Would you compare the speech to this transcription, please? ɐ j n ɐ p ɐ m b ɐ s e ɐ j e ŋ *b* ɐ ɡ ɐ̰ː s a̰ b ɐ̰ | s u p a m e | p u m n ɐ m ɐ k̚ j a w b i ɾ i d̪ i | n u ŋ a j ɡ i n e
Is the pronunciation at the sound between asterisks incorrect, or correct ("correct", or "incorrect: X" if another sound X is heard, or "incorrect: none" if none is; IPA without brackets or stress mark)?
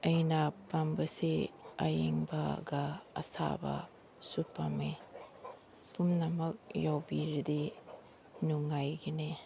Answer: correct